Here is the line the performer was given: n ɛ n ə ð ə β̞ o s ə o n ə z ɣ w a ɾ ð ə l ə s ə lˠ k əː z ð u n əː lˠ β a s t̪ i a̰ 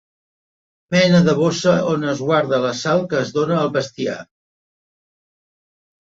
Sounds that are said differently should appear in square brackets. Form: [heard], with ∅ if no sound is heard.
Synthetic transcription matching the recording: [m] ɛ n ə ð ə β̞ o s ə o n ə z ɣ w a ɾ ð ə l ə s [a] lˠ k əː z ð [o] n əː lˠ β [ə] s t̪ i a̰